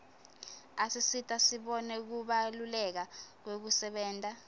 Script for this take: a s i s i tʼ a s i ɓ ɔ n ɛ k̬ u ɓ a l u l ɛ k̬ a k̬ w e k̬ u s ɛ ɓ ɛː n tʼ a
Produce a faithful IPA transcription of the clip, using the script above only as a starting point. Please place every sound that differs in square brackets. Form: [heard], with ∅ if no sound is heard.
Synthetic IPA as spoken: a s i s i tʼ a s i ɓ ɔ n ɛ k̬ u ɓ a l u l ɛ k̬ a k̬ w e k̬ u s ɛ ɓ ɛː n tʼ a